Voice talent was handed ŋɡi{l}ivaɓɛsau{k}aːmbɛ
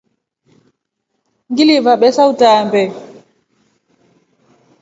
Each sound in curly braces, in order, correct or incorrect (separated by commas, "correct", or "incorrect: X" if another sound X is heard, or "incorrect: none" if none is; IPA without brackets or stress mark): correct, incorrect: t